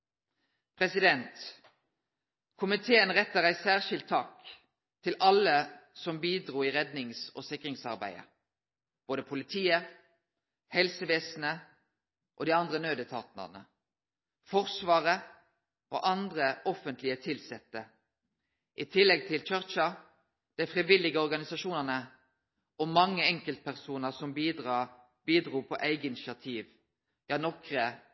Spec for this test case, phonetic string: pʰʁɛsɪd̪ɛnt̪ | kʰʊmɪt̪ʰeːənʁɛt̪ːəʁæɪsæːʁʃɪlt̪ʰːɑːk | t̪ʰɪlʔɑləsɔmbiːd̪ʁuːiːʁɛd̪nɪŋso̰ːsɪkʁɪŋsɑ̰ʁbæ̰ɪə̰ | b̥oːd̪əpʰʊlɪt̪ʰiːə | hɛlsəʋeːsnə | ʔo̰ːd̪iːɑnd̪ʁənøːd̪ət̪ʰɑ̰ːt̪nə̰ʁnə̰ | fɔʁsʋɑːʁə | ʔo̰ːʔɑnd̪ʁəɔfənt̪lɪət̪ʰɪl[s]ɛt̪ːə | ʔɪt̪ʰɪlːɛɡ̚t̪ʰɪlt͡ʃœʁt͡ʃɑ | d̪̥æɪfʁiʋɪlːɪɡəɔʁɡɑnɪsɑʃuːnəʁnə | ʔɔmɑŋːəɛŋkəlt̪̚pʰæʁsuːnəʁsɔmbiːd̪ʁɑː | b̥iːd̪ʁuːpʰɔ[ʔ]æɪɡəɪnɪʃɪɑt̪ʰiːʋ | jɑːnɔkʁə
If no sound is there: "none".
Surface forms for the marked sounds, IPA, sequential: s, ʔ

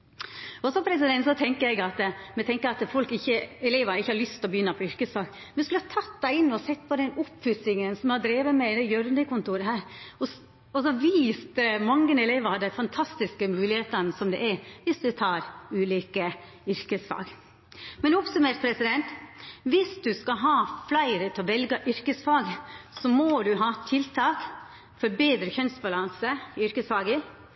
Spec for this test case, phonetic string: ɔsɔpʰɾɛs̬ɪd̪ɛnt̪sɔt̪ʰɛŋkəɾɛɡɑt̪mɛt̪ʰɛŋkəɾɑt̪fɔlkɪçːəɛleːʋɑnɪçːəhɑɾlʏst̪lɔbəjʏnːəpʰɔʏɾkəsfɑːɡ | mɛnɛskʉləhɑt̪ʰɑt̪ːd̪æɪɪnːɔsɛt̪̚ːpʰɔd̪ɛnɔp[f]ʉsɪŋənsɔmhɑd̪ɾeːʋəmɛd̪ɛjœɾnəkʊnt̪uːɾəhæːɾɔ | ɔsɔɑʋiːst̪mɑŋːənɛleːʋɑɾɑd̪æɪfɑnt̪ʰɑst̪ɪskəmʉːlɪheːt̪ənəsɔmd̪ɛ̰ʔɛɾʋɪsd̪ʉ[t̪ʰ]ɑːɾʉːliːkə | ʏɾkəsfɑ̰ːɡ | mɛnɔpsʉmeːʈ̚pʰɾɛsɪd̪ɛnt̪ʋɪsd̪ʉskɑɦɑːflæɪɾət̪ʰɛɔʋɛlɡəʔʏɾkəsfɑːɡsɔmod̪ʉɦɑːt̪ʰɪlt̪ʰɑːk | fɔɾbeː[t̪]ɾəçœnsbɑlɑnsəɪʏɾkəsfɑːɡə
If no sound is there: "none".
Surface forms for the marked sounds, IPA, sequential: f, t̪ʰ, d̪

